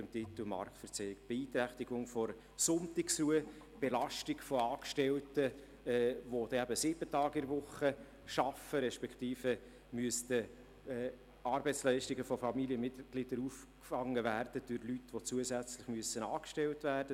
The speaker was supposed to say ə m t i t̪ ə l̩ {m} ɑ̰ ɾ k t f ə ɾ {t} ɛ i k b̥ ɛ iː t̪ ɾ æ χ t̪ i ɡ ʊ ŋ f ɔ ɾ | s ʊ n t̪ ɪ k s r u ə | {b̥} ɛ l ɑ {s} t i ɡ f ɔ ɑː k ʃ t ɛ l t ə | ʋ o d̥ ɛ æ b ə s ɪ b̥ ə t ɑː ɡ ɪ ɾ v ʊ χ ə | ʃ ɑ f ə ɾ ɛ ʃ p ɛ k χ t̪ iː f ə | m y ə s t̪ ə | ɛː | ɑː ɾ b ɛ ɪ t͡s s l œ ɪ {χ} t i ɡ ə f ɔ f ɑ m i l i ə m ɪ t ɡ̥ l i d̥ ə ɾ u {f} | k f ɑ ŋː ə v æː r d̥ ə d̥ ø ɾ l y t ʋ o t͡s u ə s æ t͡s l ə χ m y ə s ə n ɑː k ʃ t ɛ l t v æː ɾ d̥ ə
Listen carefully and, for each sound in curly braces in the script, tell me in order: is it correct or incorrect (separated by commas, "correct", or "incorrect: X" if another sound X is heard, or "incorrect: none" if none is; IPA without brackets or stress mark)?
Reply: correct, incorrect: t͡s, correct, incorrect: ʃ, incorrect: ʃ, correct